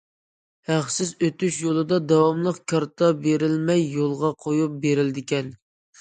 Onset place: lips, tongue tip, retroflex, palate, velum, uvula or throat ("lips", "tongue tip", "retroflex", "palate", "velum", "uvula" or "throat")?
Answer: throat